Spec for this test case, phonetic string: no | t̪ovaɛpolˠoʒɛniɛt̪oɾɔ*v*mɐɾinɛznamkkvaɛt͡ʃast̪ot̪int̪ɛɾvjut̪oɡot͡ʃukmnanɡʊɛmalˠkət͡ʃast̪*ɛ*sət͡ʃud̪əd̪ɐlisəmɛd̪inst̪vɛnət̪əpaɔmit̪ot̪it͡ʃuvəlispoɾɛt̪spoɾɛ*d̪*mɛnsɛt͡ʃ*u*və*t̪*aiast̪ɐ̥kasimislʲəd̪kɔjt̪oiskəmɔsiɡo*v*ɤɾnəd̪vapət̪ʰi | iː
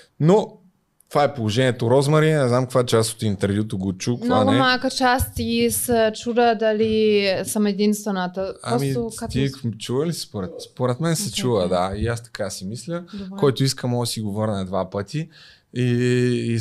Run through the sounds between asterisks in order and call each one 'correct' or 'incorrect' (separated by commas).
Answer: incorrect, incorrect, incorrect, correct, incorrect, correct